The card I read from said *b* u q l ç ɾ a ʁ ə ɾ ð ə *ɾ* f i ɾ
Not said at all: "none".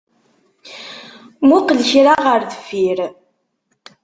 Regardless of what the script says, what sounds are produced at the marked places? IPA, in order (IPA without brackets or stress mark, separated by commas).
m, none